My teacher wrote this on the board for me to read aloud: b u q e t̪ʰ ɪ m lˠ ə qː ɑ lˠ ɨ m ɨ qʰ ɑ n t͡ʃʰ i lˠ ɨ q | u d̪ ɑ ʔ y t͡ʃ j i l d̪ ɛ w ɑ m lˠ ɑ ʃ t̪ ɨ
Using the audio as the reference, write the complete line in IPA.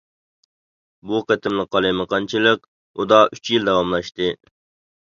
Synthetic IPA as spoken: b u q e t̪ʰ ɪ m lˠ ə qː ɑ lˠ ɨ m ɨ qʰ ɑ n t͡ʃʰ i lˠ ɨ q | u d̪ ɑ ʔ y t͡ʃ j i l d̪ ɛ w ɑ m lˠ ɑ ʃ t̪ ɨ

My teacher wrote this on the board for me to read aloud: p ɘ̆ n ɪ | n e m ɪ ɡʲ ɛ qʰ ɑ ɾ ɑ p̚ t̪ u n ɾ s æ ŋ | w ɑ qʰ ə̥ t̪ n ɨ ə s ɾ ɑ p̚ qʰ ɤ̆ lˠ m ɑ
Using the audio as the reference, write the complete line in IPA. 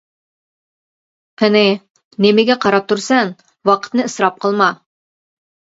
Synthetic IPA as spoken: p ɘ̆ n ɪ | n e m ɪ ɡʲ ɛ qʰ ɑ ɾ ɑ p̚ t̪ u ɾ s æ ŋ | w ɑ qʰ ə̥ t̪ n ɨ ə s ɾ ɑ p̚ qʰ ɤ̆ lˠ m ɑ

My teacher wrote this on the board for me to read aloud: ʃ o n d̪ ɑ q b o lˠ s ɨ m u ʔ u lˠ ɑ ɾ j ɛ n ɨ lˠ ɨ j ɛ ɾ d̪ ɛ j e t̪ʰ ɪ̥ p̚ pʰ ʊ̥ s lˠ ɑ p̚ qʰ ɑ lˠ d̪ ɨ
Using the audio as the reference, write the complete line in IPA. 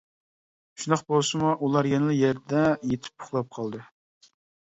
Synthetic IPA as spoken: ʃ u n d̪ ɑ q b o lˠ s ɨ m u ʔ u lˠ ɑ ɾ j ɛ n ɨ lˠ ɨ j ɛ ɾ d̪ ɛ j e t̪ʰ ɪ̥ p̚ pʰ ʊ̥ χ lˠ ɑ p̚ qʰ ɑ lˠ d̪ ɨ

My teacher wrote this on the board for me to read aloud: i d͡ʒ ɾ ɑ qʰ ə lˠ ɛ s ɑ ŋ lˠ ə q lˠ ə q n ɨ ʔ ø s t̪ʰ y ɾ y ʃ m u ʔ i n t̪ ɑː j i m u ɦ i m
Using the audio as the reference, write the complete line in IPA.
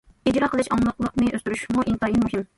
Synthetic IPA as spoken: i d͡ʒ ɾ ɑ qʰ ə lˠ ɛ ʃ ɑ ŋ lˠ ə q lˠ ə q n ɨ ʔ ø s t̪ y ɾ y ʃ m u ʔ i n t̪ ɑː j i m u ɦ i m

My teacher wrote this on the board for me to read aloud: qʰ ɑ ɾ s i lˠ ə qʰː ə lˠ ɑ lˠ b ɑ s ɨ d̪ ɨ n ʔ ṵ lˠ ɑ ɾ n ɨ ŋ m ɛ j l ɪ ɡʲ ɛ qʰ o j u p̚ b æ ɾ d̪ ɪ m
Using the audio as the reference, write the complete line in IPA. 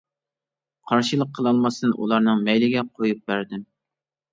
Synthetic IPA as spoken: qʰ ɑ ɾ ʃ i lˠ ə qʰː ə lˠ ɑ lˠ m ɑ s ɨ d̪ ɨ n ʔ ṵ lˠ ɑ ɾ n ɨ ŋ m ɛ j l ɪ ɡʲ ɛ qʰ o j u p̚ b æ ɾ d̪ ɪ m

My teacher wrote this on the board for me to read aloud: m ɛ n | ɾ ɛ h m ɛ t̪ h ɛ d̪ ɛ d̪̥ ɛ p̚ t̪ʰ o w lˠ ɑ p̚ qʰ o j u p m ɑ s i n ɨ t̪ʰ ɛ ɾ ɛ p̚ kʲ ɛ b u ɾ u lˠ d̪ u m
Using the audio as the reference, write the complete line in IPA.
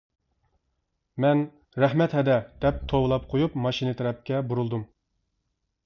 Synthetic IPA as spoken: m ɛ n | ɾ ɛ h m ɛ t̪ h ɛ d̪ ɛ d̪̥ ɛ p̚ t̪ʰ o w lˠ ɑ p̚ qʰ o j u p m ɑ ʃ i n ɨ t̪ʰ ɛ ɾ ɛ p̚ kʲ ɛ b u ɾ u lˠ d̪ u m

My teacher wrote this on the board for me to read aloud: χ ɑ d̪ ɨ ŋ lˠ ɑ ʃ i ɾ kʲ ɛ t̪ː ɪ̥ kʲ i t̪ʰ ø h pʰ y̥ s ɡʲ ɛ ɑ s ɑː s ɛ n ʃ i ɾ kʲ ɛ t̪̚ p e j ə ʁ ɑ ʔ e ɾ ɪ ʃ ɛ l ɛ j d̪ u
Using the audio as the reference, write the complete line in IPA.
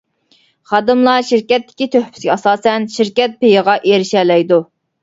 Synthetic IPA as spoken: χ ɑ d̪ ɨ m lˠ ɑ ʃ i ɾ kʲ ɛ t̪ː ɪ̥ kʲ i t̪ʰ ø h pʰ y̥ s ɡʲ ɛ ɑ s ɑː s ɛ n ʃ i ɾ kʲ ɛ t̪̚ p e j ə ʁ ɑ ʔ e ɾ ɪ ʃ ɛ l ɛ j d̪ u

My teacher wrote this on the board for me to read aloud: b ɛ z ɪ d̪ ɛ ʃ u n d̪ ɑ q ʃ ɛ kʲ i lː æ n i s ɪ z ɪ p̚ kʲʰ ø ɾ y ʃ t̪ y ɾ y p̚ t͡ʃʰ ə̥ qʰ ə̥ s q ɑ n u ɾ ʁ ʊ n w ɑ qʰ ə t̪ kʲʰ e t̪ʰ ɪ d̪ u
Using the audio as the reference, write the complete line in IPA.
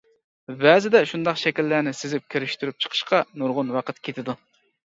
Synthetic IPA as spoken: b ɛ z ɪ d̪ ɛ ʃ u n d̪ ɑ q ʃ ɛ kʲ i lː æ n ɪ s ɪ z ɪ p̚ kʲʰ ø ɾ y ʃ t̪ y ɾ y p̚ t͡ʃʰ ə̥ qʰ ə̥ ʃ q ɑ n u ɾ ʁ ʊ n w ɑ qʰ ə t̪ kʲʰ e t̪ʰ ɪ d̪ u

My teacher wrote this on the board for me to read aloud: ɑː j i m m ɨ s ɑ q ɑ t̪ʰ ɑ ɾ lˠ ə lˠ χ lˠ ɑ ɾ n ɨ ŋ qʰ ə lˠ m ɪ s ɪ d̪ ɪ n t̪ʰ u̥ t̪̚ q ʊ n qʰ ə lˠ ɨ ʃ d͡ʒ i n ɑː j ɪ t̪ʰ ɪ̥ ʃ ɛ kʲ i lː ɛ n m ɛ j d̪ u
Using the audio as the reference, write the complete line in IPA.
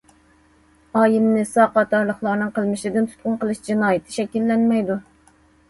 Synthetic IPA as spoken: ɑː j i m n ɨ s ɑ q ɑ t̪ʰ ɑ ɾ lˠ ə χ lˠ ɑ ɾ n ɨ ŋ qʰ ə lˠ m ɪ ʃ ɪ d̪ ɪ n t̪ʰ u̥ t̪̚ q ʊ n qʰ ə lˠ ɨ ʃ d͡ʒ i n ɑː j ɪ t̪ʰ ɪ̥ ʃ ɛ kʲ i lː ɛ n m ɛ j d̪ u

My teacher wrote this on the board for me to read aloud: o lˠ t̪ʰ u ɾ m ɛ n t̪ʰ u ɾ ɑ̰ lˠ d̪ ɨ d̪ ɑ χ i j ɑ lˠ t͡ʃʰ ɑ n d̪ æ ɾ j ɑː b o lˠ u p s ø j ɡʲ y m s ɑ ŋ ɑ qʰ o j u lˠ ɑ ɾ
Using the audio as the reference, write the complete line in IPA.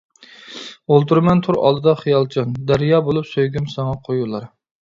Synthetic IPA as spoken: o lˠ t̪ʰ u ɾ m ɛ n t̪ʰ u ɾ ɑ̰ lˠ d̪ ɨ d̪ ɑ χ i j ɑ lˠ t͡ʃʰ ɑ n d̪ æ ɾ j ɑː b o lˠ u p s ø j ɡʲ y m s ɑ ŋ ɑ qʰ o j u lˠ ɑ ɾ

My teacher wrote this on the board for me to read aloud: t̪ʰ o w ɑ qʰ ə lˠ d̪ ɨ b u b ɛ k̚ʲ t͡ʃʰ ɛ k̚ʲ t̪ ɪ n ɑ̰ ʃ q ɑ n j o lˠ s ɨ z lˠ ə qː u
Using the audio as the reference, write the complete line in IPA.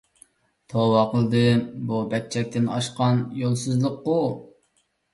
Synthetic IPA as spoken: t̪ʰ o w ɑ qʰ ə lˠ d̪ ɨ b u b ɛ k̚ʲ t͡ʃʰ ɛ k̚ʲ t̪ ɪ n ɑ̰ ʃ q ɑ n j o lˠ s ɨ z lˠ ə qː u

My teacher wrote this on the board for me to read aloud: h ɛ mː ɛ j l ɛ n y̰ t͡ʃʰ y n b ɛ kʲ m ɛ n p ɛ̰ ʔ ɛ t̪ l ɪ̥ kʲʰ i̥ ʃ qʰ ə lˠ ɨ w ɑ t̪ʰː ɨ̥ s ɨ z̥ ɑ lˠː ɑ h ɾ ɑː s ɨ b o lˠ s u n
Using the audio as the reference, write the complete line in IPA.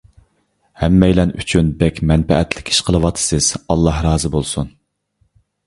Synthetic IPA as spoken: h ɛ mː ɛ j l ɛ n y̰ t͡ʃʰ y n b ɛ kʲ m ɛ n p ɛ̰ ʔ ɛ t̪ l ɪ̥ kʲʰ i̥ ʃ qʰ ə lˠ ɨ w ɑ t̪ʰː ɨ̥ s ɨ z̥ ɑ lˠː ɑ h ɾ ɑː z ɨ b o lˠ s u n

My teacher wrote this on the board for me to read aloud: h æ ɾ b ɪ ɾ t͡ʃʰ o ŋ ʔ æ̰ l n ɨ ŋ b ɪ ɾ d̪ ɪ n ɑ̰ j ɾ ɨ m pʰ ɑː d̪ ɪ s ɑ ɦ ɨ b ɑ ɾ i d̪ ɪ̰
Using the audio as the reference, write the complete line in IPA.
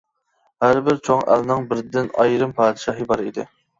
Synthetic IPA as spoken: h æ ɾ b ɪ ɾ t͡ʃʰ o ŋ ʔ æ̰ l n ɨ ŋ b ɪ ɾ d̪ ɪ n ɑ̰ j ɾ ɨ m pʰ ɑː d̪ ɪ ʃ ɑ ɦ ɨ b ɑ ɾ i d̪ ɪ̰

